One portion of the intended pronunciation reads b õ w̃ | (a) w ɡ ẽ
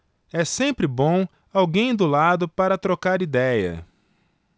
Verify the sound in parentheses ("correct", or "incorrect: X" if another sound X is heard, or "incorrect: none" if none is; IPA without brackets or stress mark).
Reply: correct